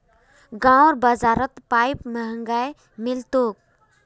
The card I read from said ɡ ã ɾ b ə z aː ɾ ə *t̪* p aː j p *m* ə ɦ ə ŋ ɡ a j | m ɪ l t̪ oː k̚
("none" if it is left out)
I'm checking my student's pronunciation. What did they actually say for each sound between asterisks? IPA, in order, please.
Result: t̪, m

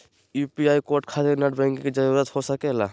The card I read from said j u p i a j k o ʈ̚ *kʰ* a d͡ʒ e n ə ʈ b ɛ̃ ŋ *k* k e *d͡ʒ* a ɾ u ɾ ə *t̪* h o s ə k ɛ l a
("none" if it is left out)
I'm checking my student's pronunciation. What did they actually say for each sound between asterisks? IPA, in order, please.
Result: kʰ, k, d͡ʒ, t̪

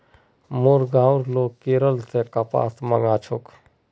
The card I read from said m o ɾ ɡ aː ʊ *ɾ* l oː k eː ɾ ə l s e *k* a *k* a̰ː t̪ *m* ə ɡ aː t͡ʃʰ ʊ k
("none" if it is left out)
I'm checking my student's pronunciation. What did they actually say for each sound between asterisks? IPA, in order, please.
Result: ɾ, k, p, m

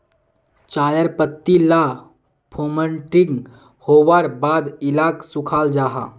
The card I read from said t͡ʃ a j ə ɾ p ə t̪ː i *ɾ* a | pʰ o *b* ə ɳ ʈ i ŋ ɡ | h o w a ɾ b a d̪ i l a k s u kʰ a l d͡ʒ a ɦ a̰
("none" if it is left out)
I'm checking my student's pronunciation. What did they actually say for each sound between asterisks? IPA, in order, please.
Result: l, m

